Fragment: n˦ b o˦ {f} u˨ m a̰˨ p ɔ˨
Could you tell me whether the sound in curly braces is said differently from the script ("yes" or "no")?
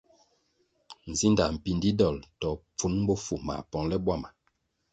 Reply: no